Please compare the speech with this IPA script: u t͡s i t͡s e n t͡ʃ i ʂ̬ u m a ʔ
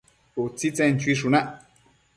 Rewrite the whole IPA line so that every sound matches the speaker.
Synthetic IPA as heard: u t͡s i t͡s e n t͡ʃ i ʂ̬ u n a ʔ